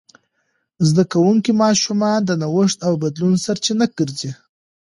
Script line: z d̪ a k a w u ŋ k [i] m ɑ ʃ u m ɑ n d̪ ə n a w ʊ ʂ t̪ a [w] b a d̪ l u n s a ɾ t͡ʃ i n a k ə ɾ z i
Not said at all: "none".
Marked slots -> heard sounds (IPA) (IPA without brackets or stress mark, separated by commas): i, w